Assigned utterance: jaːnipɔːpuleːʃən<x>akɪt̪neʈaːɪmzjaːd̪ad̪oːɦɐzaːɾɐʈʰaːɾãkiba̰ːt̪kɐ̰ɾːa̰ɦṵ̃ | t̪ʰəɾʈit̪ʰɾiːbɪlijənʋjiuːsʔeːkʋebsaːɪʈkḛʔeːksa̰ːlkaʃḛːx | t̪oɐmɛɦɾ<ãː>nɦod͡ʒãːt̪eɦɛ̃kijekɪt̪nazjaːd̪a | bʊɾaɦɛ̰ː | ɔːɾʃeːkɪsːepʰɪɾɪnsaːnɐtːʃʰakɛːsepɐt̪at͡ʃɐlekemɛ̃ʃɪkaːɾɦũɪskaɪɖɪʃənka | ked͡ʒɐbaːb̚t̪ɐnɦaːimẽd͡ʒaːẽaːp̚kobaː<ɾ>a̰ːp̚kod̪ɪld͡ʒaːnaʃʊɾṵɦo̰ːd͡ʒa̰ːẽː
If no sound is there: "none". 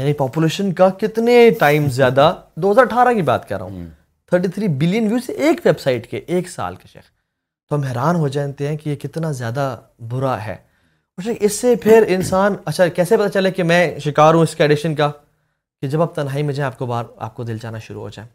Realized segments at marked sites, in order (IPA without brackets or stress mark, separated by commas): k, aː, ɾ